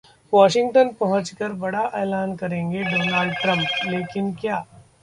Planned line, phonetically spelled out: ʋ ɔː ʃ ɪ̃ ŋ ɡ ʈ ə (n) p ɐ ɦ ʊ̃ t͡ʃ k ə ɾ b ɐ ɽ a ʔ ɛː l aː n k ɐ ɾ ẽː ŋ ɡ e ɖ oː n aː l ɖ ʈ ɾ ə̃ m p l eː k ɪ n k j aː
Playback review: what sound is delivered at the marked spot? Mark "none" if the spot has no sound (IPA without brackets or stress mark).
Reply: n